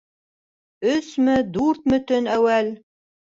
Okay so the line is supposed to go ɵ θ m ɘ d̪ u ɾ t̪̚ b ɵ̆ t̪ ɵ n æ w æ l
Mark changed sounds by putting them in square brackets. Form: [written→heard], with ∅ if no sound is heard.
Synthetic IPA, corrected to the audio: ɵ [θ→s] m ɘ d̪ u ɾ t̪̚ [b→m] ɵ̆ t̪ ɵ n æ w æ l